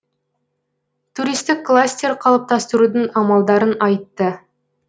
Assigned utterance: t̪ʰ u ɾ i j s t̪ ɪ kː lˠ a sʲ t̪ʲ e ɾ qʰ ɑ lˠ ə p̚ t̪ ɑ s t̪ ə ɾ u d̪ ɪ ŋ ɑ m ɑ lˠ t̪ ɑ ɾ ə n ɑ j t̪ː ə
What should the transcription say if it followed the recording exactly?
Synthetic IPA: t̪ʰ u ɾ i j s t̪ ɪ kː lˠ a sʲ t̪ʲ e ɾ qʰ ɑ lˠ ə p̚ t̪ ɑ s t̪ ə ɾ u d̪ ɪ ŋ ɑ m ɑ lˠ d̪ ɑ ɾ ə n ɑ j t̪ː ə